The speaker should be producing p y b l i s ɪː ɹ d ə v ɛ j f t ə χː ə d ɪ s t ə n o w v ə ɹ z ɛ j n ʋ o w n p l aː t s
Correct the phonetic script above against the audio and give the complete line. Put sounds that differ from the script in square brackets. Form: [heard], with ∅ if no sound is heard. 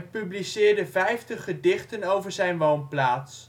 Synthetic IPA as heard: p y b l i s ɪː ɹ d ə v ɛ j f t ə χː ə d ɪ [χ] t ə n o w v ə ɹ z ɛ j n ʋ o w n p l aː t s